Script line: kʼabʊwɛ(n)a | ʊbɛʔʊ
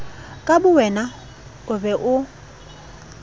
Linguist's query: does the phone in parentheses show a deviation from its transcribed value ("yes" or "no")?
no